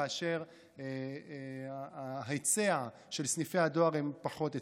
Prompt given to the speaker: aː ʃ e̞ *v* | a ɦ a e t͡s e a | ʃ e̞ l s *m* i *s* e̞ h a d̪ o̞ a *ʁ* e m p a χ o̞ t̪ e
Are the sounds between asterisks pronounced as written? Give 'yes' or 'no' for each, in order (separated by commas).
no, no, no, yes